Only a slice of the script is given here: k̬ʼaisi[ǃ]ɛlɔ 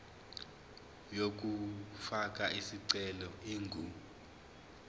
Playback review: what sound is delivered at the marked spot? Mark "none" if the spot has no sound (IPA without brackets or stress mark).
ǀ